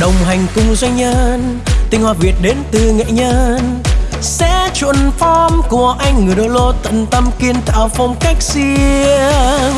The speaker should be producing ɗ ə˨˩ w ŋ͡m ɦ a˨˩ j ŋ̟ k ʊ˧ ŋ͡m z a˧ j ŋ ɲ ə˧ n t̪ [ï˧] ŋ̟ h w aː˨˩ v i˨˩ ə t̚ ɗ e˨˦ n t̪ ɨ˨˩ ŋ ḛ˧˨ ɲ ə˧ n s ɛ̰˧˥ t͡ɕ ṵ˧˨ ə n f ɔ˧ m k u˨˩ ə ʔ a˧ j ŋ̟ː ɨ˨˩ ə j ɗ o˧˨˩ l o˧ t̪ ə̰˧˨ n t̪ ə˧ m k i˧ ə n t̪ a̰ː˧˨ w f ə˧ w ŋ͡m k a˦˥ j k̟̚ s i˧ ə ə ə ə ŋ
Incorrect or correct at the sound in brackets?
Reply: correct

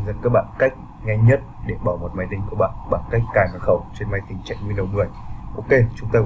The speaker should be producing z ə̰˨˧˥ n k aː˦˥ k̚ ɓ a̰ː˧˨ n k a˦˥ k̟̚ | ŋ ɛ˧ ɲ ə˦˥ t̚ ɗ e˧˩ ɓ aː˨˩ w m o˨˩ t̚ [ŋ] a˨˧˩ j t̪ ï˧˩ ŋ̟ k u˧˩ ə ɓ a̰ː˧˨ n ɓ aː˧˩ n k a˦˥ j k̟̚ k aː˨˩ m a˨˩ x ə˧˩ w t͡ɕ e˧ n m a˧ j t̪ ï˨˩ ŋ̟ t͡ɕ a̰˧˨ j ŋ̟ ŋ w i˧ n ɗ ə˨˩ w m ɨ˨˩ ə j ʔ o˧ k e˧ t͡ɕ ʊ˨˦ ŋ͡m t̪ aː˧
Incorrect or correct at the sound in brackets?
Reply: incorrect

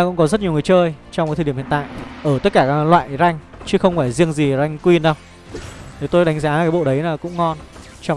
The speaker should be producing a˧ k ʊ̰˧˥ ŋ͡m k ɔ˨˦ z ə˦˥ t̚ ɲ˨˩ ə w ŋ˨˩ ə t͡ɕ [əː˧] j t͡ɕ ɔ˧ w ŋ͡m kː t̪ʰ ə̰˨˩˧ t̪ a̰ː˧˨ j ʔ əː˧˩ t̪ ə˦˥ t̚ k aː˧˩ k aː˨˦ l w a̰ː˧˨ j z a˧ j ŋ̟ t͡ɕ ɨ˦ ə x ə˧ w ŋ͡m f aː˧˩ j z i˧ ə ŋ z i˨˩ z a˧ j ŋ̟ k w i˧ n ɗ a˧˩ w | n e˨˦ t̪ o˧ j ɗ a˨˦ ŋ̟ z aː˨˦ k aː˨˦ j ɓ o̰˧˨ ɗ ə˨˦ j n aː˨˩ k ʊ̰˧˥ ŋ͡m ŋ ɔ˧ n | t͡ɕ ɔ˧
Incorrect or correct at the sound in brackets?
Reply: correct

